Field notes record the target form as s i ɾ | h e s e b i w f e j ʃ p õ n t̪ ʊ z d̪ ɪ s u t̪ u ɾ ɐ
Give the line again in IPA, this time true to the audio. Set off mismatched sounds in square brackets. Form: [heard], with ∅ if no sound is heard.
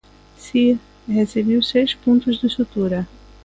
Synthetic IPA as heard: s i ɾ | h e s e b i w [s] e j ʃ p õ n t̪ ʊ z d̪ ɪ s u t̪ u ɾ ɐ